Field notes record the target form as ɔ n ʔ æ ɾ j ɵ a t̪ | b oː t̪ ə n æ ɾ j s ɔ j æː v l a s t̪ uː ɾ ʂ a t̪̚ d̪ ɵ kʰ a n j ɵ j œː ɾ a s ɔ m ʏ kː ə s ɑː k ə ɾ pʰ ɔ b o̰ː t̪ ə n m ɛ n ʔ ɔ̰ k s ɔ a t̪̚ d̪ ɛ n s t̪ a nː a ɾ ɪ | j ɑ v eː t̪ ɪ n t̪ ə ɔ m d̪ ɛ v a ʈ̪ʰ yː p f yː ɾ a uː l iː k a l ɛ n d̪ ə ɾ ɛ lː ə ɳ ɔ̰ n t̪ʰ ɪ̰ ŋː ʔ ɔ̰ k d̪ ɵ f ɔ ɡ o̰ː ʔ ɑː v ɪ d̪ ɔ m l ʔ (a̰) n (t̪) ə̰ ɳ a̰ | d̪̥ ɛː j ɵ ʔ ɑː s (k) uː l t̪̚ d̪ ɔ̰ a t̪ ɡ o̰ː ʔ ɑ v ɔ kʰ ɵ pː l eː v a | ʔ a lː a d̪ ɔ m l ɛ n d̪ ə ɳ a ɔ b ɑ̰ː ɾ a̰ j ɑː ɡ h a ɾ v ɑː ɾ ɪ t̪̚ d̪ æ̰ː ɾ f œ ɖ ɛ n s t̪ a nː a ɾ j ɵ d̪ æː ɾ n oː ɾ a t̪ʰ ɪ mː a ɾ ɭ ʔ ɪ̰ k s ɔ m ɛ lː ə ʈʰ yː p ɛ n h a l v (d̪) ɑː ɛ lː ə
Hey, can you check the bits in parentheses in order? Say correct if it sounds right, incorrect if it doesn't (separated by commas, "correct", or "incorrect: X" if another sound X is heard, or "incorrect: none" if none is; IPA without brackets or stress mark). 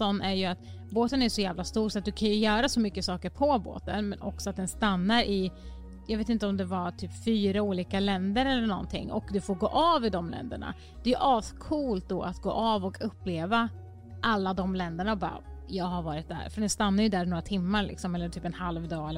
incorrect: ɛ̰, incorrect: d̪, incorrect: kʰ, correct